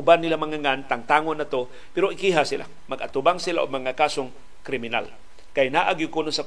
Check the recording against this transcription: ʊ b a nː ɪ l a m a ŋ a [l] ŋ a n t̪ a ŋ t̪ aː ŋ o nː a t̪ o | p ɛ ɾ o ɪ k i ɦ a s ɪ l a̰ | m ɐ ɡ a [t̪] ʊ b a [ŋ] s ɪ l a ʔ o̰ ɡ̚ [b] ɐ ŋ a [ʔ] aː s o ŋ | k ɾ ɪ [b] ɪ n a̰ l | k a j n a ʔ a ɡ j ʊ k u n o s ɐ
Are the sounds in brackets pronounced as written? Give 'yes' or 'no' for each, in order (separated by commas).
no, yes, yes, no, no, no